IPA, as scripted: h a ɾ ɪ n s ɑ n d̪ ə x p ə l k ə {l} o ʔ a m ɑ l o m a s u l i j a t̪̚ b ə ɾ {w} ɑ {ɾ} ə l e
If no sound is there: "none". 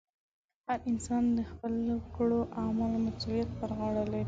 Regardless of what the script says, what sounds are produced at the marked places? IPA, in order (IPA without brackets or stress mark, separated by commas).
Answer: ɽ, ɣ, ɽ